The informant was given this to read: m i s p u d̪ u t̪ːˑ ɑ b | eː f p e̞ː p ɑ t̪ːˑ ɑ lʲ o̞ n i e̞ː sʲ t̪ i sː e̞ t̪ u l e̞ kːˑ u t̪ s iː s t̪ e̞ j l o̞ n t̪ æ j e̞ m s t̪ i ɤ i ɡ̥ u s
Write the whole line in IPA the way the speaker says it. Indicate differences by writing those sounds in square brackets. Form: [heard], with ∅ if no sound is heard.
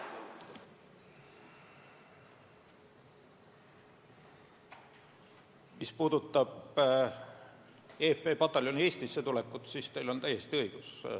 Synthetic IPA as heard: m i s p [uː] d̪ u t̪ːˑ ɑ b | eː f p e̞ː p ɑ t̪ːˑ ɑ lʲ o̞ n i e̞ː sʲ t̪ i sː e̞ t̪ u l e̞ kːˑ u t̪ s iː s t̪ e̞ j l o̞ n t̪ æ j e̞ [∅] s t̪ i ɤ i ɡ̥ u s

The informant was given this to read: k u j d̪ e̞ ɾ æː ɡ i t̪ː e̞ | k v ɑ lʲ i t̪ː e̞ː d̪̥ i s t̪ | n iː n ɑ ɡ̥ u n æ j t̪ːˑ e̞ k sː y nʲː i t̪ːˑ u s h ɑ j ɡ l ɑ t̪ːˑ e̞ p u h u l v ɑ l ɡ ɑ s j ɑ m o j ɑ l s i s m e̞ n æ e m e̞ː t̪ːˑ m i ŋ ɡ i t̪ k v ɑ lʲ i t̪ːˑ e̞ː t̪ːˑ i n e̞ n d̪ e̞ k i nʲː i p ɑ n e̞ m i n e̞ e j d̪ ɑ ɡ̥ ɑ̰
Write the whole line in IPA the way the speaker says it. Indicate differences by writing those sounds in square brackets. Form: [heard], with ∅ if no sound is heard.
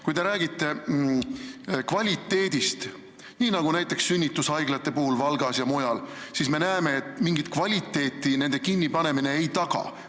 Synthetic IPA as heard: k u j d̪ e̞ ɾ æː ɡ i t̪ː e̞ | k v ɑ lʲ i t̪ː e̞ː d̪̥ i s t̪ | n iː n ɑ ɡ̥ u n æ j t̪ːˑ e̞ k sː y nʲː i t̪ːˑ u s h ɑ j ɡ l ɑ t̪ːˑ e̞ p u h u l v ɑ l ɡ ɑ s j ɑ m o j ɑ l s i s m e̞ n æ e m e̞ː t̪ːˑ m i ŋ ɡ i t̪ k v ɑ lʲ i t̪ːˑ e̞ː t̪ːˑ i n e̞ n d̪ e̞ k i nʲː i p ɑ n e̞ m i n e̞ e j [t̪] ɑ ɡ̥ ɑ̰

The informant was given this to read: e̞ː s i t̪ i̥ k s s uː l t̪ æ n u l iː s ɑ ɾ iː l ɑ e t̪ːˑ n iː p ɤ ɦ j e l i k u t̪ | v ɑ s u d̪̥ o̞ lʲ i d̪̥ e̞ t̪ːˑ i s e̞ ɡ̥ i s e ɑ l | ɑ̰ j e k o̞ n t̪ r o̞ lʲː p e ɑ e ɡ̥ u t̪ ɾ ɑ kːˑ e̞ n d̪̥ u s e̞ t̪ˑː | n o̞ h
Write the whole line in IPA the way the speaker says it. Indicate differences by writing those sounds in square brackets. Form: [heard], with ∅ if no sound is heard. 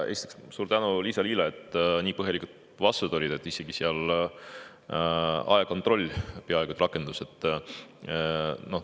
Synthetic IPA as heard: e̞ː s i t̪ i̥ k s s uː [ɾ] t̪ æ n u l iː s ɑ [l] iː l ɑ e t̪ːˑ n iː p ɤ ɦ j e l i k u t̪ | v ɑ s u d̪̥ o̞ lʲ i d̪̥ e̞ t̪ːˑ i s e̞ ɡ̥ i s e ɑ l | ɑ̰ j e k o̞ n t̪ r o̞ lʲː p e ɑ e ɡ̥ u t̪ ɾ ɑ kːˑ e̞ n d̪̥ u s e̞ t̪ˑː | n o̞ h

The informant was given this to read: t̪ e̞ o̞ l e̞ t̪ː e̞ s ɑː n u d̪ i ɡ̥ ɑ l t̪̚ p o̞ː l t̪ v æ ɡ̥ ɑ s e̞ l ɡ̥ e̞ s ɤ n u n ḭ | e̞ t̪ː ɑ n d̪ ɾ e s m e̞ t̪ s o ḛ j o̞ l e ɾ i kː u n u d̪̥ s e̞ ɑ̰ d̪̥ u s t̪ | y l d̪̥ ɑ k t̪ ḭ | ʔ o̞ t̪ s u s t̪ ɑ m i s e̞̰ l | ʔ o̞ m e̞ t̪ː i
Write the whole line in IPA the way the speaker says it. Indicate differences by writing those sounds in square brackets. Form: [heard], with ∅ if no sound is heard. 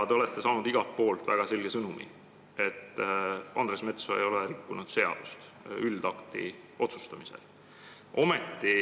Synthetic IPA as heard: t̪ e̞ o̞ l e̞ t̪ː e̞ s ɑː n u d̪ i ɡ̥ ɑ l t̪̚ p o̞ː l t̪ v æ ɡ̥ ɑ s e̞ l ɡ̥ e̞ s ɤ n u [m] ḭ | e̞ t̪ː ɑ n d̪ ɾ e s m e̞ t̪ s o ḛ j o̞ l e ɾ i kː u n u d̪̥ s e̞ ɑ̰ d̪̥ u s t̪ | y l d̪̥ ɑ k t̪ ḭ | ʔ o̞ t̪ s u s t̪ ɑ m i s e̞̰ l | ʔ o̞ m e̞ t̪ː i

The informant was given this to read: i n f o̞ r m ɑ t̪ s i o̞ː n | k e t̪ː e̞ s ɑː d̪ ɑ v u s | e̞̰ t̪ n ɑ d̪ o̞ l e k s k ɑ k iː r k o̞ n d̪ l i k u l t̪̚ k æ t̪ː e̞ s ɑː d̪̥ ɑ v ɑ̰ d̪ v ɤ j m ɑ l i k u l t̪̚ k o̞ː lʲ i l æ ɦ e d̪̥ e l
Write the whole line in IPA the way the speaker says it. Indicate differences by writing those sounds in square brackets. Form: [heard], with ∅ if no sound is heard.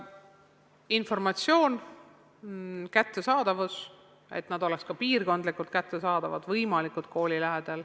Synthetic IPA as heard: i n f o̞ r m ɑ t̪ s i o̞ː n | k [æ] t̪ː e̞ s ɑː d̪ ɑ v u s | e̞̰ t̪ n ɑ d̪ o̞ l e k s k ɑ [p] iː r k o̞ n d̪ l i k u l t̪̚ k æ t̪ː e̞ s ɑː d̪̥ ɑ v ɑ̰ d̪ v ɤ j m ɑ l i k u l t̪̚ k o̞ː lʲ i l æ ɦ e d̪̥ e l

